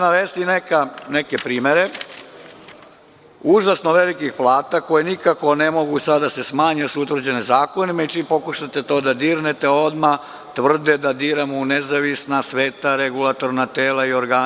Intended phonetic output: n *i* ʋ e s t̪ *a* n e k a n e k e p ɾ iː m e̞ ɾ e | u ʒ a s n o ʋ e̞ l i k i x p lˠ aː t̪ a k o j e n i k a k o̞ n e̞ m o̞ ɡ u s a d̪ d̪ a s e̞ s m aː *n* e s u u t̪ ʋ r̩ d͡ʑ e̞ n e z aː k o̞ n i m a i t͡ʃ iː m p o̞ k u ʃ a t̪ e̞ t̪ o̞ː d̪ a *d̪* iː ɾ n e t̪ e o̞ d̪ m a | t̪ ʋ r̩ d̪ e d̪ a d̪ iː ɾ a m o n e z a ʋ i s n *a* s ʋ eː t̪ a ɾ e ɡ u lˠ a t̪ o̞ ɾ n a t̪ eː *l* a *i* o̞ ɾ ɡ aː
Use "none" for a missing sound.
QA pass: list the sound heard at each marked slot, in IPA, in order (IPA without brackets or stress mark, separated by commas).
a, i, ɲ, d̪, a, l, i